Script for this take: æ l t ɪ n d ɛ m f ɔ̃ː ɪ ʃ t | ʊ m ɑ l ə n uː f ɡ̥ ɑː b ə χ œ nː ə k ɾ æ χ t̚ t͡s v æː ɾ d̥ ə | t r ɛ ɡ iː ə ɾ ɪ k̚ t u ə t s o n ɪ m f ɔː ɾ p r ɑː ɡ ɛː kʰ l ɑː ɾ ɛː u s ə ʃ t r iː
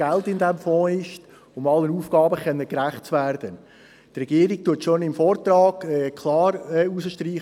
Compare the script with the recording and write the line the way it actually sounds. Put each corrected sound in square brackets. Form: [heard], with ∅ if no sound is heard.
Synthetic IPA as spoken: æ l t ɪ n d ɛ m f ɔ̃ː ɪ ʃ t | ʊ m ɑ l ə n uː f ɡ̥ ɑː b ə χ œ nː ə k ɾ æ χ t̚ t͡s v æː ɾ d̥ ə | t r ɛ ɡ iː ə ɾ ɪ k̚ t u ə t [ʃ] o n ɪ m f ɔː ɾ [t] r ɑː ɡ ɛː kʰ l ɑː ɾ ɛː u s ə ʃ t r iː